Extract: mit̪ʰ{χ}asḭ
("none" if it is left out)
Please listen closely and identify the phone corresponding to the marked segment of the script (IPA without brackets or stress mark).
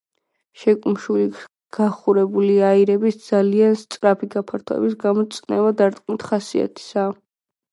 χ